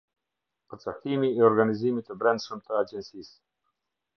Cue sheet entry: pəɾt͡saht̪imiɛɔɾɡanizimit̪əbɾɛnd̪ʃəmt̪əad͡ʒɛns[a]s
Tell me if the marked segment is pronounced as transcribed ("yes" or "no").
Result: no